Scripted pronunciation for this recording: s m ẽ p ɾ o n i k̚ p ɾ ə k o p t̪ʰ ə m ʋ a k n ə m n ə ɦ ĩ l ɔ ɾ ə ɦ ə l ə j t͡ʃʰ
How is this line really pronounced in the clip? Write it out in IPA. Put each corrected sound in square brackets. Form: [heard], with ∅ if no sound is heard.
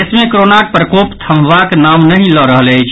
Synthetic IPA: s m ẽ [k] ɾ o n [a] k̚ p ɾ ə k o p t̪ʰ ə m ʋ a k n [a] m n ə ɦ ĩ l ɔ ɾ ə ɦ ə l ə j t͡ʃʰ